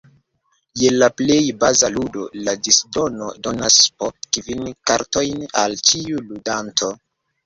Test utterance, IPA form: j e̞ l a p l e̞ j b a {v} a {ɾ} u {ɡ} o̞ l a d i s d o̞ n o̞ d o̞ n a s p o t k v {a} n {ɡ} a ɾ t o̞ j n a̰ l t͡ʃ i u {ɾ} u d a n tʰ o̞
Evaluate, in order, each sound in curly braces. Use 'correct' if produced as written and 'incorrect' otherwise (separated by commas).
incorrect, incorrect, incorrect, incorrect, incorrect, incorrect